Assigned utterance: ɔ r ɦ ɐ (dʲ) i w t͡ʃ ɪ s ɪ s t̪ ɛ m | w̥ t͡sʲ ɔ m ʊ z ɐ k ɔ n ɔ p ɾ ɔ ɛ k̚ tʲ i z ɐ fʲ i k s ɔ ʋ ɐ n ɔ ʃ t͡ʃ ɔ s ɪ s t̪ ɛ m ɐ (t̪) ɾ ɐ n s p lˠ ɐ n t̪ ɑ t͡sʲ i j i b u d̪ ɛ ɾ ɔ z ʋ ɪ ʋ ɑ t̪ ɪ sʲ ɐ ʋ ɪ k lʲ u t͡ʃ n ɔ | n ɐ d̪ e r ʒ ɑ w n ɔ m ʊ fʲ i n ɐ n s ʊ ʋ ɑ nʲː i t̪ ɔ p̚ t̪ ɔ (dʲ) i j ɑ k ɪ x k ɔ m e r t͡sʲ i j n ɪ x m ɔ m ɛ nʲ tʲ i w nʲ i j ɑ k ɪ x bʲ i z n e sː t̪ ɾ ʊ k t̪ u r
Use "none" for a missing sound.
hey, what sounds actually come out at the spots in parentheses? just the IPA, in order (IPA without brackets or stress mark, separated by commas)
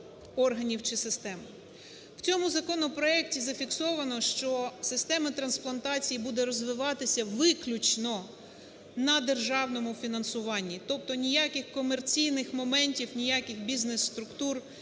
nʲ, t̪, nʲ